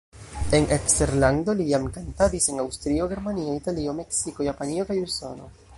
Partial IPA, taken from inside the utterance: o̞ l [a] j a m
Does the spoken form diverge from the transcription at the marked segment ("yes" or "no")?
yes